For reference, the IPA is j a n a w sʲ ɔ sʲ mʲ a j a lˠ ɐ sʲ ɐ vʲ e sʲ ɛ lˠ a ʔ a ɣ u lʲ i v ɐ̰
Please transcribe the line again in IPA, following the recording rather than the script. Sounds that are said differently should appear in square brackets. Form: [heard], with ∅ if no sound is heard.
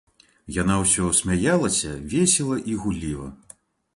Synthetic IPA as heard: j a n a w sʲ ɔ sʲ mʲ a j a lˠ ɐ sʲ ɐ vʲ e sʲ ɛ lˠ [ɐ] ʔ [i] ɣ u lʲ i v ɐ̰